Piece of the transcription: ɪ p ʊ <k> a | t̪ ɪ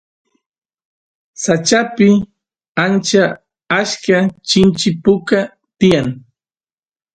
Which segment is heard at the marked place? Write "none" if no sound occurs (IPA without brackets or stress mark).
k